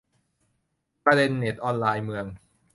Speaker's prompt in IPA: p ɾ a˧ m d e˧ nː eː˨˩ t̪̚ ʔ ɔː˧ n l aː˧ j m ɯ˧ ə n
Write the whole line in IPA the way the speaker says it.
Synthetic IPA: p ɾ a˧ d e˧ nː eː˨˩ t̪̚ ʔ ɔː˧ n l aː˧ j m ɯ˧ ə ŋ